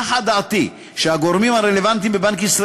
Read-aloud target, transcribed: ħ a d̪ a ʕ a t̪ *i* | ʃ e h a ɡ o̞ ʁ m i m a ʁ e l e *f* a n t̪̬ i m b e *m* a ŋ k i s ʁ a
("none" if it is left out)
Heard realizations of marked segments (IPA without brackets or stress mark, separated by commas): i, v, b